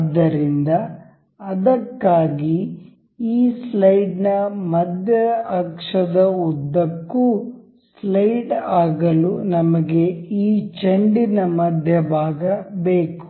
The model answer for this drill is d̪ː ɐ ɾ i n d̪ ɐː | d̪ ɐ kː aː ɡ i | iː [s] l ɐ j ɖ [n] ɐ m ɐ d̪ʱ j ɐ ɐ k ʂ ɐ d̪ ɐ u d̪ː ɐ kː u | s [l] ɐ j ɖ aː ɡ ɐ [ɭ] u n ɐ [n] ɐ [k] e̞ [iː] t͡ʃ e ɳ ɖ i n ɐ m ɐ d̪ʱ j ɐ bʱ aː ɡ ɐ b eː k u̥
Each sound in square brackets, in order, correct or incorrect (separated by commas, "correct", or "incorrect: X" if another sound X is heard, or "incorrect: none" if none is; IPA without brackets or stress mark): correct, correct, correct, incorrect: l, incorrect: m, incorrect: ɡ, correct